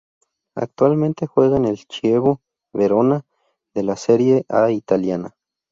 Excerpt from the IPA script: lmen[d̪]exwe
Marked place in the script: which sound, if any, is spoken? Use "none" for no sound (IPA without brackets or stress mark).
t̪